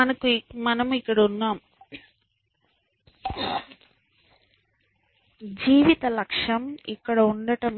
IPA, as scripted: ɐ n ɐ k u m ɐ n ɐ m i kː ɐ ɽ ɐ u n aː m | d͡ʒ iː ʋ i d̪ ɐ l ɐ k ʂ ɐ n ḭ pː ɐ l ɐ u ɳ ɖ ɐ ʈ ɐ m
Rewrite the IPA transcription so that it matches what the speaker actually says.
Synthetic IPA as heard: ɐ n ɐ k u m ɐ n ɐ m i kː ɐ ɽ ɐ u nː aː m | d͡ʒ iː ʋ i t̪ ɐ l ɐ k ʂ ɐ m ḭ kː ɐ ɽ ɐ u ɳ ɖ ɐ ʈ ɐ m